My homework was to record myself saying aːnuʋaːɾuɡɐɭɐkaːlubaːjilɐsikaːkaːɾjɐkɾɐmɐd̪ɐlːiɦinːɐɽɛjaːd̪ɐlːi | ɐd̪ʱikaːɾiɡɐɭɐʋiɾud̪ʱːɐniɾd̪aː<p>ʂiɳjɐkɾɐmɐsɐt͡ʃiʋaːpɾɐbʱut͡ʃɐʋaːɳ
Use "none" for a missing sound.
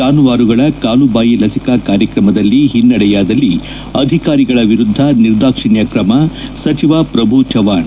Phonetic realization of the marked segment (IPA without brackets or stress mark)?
k